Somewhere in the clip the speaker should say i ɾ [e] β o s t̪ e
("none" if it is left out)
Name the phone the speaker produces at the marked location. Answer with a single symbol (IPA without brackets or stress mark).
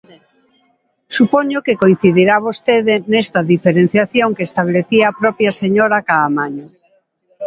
a